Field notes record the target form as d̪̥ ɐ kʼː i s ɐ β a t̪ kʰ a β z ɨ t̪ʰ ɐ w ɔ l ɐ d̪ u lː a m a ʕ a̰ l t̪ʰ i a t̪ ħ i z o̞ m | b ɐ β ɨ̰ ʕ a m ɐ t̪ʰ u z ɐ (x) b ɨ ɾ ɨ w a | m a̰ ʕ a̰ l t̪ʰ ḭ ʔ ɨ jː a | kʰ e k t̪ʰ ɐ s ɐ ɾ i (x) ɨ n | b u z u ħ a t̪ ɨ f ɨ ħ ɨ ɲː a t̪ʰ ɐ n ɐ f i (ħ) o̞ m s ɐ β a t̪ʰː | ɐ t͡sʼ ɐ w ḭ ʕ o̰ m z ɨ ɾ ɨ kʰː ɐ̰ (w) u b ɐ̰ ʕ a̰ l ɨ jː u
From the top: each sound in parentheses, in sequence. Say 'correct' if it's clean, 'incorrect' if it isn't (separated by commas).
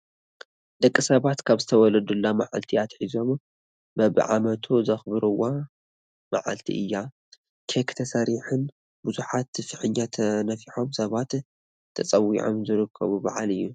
correct, incorrect, correct, incorrect